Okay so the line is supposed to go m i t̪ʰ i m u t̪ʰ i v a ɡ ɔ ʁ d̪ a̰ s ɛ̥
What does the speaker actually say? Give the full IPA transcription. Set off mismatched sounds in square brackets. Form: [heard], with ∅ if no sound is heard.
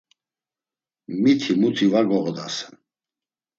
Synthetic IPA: m i t̪ʰ i m u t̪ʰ i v a ɡ ɔ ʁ d̪ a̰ s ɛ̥

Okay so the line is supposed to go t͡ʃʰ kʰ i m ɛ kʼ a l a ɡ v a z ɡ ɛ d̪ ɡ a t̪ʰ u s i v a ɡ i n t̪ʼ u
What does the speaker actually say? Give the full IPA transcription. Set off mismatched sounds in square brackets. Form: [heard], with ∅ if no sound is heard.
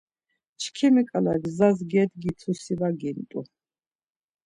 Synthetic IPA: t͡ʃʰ kʰ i m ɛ kʼ a l a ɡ [z] a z ɡ ɛ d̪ ɡ [i] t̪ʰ u s i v a ɡ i n t̪ʼ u

